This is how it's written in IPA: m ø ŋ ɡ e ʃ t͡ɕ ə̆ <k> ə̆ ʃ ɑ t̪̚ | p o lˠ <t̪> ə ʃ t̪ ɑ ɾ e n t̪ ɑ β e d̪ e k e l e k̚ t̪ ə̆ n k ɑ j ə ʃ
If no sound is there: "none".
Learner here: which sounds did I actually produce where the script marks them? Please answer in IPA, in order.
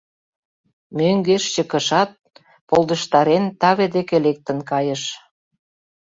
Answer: k, d̪

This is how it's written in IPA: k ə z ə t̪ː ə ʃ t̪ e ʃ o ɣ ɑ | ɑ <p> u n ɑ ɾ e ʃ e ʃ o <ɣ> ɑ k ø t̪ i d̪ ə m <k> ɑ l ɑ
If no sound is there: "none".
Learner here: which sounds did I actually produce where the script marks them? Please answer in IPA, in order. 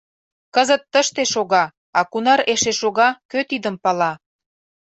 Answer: k, ɣ, p

